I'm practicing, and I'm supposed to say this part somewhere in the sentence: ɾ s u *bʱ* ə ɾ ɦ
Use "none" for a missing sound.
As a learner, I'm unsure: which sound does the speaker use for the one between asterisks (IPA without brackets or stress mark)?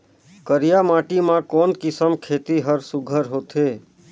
ɡʱ